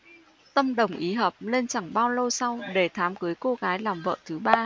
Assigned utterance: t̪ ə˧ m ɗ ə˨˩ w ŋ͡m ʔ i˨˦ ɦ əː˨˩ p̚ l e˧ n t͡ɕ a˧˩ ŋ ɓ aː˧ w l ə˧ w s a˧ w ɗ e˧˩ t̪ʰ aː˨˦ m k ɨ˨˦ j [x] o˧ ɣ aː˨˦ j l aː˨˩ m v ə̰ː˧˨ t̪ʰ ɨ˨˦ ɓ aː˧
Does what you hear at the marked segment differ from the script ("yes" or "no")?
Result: yes